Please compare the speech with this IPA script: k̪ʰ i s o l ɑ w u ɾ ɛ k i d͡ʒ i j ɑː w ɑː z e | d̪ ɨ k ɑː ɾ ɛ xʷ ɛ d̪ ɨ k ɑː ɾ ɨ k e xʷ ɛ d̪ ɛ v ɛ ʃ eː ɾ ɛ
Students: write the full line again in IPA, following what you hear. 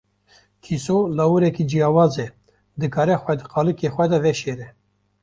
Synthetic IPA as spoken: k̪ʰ i s o l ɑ w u ɾ ɛ k i d͡ʒ i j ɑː w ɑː z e | d̪ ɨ k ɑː ɾ ɛ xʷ ɛ d̪ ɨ q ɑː l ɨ k e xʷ ɛ d̪ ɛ v ɛ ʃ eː ɾ ɛ